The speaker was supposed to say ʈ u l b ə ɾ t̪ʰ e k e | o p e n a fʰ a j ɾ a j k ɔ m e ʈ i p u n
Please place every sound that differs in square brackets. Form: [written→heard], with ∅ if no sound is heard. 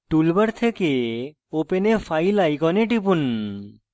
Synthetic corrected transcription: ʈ u l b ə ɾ t̪ʰ e k e | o p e n [a→e] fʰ a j [ɾ→l] a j k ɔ [m→n] e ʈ i p u n